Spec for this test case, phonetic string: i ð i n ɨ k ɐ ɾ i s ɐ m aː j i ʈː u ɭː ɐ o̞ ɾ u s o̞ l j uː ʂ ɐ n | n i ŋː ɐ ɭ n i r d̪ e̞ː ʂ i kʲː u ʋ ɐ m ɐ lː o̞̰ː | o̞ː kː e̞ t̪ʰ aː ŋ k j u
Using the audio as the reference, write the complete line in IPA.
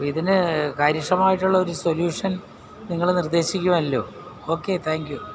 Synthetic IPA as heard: i ð i n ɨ k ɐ ɾ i ʂ ɐ m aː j i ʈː u ɭː ɐ o̞ ɾ u s o̞ l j uː ʂ ɐ n | n i ŋː ɐ ɭ n i r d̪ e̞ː ɕ i kʲː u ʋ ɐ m ɐ lː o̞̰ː | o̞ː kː e̞ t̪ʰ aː ŋ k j u

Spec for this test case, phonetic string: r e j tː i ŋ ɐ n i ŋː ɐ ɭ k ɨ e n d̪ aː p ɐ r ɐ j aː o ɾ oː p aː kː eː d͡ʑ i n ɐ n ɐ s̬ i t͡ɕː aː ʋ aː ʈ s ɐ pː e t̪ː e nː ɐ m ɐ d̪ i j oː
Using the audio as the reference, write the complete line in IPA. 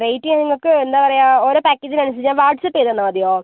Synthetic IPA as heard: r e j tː i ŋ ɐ n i ŋː ɐ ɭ k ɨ e n d̪ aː p ɐ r ɐ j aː o ɾ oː p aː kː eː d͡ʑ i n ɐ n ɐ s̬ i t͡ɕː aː ʋ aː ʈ s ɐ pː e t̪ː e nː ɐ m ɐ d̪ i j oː

